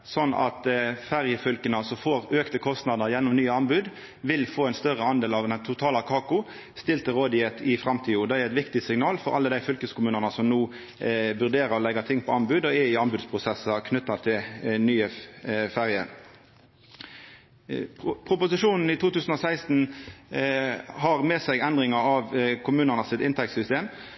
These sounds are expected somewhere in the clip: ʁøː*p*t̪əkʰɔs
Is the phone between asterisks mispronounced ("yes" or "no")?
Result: yes